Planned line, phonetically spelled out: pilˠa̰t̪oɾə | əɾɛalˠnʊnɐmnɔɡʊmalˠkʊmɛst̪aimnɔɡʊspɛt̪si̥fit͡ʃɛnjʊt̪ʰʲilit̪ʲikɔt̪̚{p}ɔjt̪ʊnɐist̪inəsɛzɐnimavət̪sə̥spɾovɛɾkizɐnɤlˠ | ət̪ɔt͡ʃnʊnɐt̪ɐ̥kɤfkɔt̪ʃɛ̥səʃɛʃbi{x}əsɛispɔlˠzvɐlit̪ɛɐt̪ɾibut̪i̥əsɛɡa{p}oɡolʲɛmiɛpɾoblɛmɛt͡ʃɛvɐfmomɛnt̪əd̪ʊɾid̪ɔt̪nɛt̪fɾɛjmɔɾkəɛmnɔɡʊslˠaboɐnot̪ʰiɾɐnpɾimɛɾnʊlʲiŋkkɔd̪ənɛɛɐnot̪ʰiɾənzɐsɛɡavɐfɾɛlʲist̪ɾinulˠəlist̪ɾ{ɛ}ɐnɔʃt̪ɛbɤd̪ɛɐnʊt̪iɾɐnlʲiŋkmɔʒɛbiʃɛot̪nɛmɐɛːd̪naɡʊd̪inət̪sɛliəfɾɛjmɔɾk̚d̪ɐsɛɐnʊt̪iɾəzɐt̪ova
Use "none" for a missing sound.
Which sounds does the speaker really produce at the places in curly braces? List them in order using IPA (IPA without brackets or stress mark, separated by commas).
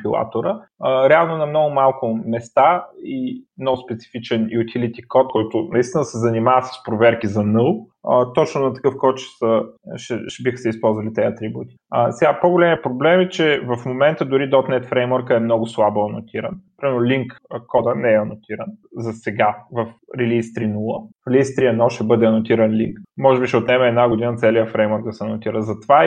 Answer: k, x, p, i